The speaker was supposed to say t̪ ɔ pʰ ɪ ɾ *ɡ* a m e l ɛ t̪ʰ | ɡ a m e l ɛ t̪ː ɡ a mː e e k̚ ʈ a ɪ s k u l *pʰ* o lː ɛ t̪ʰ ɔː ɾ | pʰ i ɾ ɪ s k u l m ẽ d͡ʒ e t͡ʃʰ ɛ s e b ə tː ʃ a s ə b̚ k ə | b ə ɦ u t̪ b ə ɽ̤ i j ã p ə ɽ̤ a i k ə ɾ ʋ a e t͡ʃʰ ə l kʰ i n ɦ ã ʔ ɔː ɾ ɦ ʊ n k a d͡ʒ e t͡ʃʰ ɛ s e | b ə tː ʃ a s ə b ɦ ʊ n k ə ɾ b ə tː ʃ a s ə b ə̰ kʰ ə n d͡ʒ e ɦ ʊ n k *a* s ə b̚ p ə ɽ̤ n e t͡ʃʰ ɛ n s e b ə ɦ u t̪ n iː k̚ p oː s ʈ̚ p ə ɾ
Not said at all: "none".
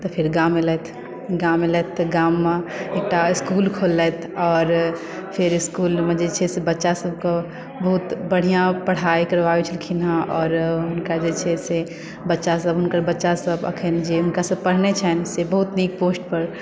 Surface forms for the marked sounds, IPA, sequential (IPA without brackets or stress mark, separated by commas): ɡ, kʰ, a